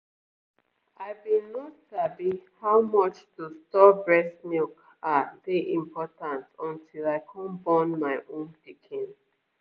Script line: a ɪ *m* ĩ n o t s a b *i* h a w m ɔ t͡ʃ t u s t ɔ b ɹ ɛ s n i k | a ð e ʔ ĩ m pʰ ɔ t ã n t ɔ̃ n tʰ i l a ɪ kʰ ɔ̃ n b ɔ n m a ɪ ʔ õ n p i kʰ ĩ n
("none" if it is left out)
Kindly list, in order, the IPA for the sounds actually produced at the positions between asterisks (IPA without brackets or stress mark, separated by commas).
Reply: b, i